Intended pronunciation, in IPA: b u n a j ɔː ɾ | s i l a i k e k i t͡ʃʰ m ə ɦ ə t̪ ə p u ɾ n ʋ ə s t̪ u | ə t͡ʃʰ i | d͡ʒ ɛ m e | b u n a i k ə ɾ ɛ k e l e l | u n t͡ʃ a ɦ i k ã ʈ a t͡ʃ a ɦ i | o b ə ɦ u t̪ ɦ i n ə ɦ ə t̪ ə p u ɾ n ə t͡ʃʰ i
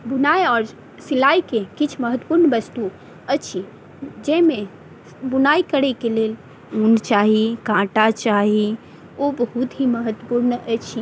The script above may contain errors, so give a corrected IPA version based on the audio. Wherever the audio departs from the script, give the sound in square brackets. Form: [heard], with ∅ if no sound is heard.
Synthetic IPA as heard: b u n a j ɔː ɾ | s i l a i k e k i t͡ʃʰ m ə ɦ ə t̪ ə p u ɾ n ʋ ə s t̪ u | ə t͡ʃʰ i | d͡ʒ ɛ m e | b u n a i k ə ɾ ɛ k e l e l | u n t͡ʃ a ɦ i k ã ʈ a t͡ʃ a ɦ i | o b ə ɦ u t̪ ɦ i [m] ə ɦ ə t̪ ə p u ɾ n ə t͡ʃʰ i